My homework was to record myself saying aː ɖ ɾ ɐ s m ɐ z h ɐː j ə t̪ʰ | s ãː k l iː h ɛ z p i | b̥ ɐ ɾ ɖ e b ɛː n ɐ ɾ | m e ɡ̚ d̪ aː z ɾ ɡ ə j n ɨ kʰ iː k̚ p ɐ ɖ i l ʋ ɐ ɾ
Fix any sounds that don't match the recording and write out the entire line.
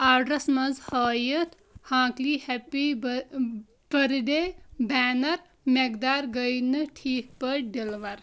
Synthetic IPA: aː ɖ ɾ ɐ s m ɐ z h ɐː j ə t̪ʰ | h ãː k l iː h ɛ p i | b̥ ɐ ɾ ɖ e b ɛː n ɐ ɾ | m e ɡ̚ d̪ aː ɾ ɡ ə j n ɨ ʈʰ iː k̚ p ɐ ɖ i l ʋ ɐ ɾ